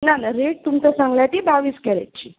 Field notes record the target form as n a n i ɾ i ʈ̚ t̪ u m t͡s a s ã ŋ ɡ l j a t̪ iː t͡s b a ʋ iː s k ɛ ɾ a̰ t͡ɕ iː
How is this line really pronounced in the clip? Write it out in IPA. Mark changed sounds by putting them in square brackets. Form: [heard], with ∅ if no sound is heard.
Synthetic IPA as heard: n a n [a] ɾ [e] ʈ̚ t̪ u m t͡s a s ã ŋ ɡ l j a t̪ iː [∅] b a ʋ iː s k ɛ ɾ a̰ t͡ɕ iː